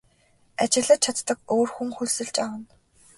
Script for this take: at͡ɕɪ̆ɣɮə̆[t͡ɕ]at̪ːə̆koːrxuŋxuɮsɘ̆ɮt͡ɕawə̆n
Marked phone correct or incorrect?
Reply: incorrect: t͡ɕʰ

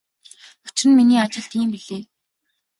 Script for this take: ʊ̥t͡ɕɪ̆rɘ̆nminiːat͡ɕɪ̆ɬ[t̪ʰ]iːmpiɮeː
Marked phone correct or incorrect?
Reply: incorrect: t̪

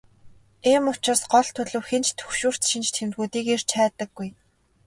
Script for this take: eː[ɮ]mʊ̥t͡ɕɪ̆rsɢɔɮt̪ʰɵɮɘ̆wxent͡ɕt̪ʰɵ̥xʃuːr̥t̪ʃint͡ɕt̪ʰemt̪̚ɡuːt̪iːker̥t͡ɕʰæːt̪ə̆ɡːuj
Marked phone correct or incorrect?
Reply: incorrect: none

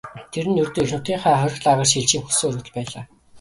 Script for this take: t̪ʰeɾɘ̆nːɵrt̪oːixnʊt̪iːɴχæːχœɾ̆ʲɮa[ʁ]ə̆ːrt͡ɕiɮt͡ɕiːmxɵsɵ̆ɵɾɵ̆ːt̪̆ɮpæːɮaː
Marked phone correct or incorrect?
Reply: correct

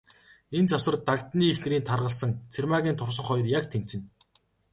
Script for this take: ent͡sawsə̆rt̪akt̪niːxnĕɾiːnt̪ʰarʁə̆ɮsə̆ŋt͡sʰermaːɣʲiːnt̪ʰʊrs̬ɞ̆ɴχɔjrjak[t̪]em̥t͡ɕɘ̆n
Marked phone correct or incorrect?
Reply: incorrect: t̪ʰ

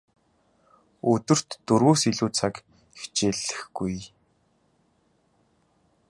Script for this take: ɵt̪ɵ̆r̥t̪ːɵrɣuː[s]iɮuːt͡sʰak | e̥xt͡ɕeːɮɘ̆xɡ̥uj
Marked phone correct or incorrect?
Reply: correct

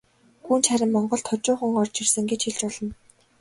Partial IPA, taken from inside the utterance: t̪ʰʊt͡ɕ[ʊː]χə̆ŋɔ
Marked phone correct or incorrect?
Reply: correct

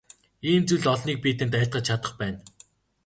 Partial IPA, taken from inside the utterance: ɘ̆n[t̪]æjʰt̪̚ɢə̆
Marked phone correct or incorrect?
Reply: correct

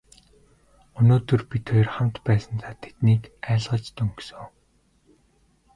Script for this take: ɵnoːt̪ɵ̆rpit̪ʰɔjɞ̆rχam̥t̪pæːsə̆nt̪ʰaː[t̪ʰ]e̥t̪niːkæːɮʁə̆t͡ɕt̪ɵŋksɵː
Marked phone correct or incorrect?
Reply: correct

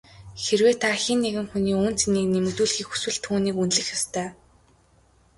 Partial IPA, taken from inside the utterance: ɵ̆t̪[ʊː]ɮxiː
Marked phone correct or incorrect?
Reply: incorrect: uː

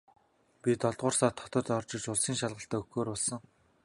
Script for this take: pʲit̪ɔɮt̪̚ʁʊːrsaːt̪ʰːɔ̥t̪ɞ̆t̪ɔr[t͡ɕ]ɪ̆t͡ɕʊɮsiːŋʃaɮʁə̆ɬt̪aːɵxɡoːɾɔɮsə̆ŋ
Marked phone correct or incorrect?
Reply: correct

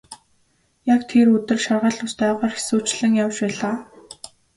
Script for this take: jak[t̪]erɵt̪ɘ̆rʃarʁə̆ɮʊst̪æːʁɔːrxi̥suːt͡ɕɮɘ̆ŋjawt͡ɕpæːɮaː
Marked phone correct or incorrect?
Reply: incorrect: t̪ʰ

